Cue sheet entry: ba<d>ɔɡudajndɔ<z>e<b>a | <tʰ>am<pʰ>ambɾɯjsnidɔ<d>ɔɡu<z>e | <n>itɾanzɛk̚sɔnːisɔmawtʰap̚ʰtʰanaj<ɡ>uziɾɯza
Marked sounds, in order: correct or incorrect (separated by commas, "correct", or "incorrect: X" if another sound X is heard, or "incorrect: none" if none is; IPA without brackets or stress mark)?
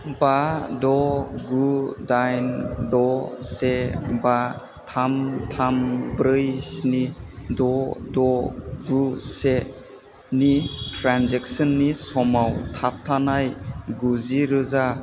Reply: correct, incorrect: s, correct, correct, incorrect: tʰ, correct, incorrect: s, correct, correct